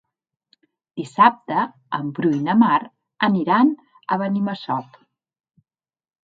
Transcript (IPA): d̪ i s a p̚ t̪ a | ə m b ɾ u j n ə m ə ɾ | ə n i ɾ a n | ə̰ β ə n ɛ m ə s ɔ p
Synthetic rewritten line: d̪ i s a p̚ t̪ ə | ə m b ɾ u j n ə m a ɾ | ə n i ɾ a n | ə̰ β ə n i m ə s ɔ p